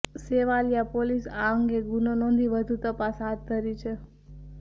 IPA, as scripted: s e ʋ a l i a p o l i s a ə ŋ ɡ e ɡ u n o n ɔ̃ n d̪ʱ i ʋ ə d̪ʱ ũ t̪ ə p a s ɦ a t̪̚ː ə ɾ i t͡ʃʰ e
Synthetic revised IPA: s e ʋ a l j a p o l i s a ə ŋ ɡ e ɡ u n o n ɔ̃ n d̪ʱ i ʋ ə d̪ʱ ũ t̪ ə p a s ɦ a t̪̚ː ə ɾ i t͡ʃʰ e